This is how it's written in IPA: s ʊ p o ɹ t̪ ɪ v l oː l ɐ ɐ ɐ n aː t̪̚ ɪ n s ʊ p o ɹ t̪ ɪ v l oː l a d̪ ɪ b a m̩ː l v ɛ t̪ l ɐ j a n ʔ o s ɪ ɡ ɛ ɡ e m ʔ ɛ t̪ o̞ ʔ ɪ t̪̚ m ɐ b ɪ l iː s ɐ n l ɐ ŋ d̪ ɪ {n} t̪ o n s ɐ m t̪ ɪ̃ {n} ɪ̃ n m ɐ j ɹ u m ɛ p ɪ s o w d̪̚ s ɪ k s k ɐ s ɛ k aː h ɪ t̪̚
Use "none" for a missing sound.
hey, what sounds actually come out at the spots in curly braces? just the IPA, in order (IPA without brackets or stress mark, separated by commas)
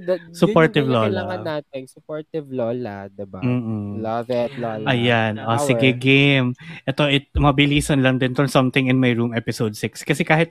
n, ŋ